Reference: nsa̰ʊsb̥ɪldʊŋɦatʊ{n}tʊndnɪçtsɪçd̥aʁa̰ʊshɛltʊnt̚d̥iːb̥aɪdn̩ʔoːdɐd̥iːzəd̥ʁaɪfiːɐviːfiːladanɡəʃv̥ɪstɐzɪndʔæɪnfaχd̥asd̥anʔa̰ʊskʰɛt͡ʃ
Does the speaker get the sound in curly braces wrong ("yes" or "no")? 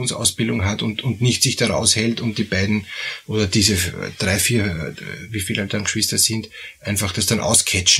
no